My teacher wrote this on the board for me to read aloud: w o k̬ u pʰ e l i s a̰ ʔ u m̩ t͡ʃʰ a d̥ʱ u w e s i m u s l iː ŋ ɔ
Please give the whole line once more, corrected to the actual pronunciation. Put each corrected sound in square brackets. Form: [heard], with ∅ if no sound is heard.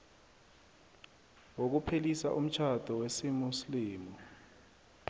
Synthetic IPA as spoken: w o k̬ u pʰ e l i s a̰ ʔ u m̩ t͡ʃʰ a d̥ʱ [ɔ] w e s i m u s l iː [m] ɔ